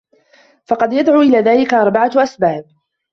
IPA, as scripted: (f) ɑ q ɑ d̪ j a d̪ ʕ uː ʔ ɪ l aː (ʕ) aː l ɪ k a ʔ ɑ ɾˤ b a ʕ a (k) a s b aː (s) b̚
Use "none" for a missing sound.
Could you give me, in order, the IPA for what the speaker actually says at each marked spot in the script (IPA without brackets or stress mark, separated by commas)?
f, ð, ʔ, none